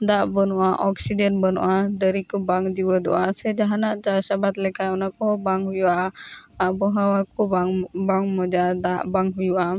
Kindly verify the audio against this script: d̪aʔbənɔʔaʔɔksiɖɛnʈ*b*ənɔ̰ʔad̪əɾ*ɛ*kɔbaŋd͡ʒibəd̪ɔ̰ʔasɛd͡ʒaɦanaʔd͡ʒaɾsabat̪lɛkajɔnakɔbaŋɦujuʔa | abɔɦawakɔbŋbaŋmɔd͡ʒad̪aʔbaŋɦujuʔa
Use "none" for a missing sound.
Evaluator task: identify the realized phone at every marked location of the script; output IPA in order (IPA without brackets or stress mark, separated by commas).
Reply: b, i